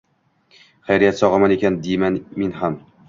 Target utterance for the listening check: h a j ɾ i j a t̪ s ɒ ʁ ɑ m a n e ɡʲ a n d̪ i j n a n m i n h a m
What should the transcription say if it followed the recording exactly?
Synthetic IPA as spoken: χ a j ɾ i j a t̪ s ɒ ʁ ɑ m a n e kʲ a n d̪ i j m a n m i n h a m